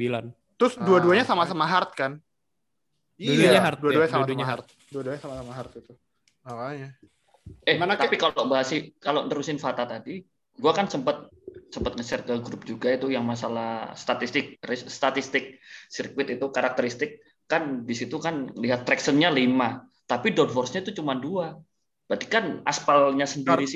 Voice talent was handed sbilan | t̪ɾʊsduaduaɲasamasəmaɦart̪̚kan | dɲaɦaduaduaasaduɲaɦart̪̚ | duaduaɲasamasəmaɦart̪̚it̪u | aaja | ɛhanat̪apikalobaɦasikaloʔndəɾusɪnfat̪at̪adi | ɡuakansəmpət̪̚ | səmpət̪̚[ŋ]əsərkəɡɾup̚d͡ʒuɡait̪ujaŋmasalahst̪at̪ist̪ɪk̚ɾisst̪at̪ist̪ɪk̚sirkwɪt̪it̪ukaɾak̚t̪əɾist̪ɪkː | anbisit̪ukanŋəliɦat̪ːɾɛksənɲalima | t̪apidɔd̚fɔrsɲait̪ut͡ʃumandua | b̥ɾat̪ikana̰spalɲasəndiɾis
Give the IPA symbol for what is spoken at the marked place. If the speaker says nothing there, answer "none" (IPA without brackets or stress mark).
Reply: ŋ